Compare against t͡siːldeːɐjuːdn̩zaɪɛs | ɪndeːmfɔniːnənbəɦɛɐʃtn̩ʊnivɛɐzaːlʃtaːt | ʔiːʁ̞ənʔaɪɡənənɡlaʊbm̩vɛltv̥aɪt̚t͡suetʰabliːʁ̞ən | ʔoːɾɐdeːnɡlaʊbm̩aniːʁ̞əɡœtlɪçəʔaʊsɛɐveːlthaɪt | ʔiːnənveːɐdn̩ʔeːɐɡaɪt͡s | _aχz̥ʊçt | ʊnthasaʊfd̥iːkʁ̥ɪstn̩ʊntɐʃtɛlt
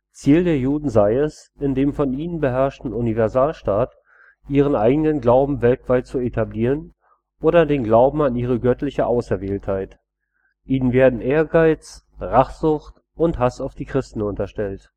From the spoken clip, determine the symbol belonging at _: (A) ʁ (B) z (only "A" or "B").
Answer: A